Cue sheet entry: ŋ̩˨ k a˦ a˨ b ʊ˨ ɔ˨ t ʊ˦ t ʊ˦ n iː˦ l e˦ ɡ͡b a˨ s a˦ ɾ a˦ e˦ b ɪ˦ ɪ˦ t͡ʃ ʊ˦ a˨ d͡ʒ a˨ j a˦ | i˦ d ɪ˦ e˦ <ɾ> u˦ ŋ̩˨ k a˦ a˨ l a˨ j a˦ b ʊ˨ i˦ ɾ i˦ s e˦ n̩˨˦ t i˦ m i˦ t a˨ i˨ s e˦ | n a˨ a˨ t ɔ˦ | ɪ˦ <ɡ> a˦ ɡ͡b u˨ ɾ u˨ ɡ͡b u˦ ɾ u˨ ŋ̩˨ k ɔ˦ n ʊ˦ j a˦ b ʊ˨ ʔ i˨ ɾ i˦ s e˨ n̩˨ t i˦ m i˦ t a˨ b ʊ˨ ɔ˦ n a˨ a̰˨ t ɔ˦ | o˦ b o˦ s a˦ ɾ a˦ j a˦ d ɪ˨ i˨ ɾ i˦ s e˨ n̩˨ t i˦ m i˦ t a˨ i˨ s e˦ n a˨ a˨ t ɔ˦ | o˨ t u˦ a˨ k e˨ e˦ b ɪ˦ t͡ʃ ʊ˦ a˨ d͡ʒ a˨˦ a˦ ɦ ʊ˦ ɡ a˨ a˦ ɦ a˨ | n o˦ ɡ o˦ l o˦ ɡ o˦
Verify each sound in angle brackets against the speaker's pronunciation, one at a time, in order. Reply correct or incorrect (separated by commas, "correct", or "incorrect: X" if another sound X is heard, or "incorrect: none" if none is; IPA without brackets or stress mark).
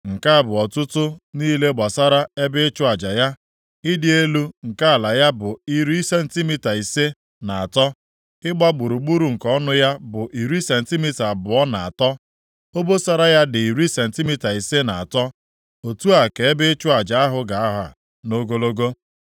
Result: incorrect: l, incorrect: ɡ͡b